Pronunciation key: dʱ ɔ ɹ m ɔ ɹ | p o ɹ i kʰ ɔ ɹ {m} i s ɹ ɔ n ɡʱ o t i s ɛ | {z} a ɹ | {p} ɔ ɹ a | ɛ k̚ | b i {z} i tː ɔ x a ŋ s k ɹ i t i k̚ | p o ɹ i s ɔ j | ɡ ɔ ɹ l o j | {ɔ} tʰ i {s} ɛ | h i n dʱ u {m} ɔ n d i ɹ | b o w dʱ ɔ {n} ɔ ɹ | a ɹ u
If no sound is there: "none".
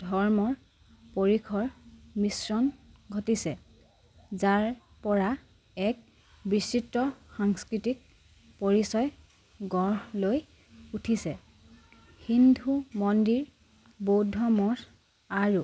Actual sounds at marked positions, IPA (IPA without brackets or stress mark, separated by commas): m, z, p, s, u, s, m, m